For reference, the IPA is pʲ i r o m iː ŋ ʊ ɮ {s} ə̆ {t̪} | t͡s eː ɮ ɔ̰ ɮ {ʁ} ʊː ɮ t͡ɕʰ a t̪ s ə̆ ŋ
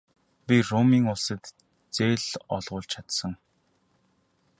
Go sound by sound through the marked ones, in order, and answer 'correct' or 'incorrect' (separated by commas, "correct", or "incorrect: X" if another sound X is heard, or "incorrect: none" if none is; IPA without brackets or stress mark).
correct, correct, correct